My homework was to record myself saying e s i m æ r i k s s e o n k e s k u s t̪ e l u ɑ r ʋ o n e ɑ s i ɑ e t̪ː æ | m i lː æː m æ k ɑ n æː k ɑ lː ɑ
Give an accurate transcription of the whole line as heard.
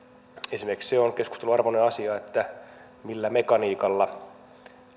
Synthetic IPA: e s i m e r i k s s e o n k e s k u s t̪ e l u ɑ r ʋ o n e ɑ s i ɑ e t̪ː æ | m i lː æ m e k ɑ n iː k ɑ lː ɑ